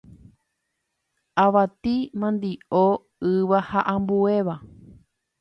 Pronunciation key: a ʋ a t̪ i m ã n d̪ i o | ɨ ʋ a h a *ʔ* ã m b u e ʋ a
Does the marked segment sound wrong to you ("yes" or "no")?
no